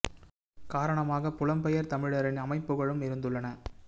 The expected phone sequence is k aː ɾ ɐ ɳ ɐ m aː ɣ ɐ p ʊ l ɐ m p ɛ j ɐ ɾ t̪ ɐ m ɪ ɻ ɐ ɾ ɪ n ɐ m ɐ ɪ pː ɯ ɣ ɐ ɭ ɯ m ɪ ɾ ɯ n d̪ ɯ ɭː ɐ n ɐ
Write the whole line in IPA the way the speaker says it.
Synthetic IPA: k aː ɾ ɐ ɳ ɐ m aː ɣ ɐ p ʊ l ɐ m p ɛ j ɐ ɾ t̪ ɐ m ɪ ɻ ɐ ɾ ɪ n ɐ m ɐ ɪ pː ɯ ɣ ɐ ɭ ɯ m ɪ ɾ ɯ n d̪ ɯ ɭː ɐ n ɐ